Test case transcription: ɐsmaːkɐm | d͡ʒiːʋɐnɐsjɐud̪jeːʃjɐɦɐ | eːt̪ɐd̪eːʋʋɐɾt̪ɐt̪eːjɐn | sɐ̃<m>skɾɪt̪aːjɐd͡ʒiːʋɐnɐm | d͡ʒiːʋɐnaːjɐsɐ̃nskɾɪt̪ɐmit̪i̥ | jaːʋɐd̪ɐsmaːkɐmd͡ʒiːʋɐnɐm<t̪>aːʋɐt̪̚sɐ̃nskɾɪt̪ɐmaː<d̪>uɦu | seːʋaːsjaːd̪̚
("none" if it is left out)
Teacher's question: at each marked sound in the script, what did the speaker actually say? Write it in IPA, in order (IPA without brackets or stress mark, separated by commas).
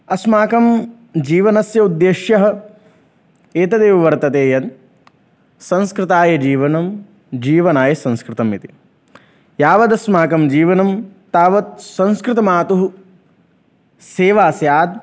n, t̪, t̪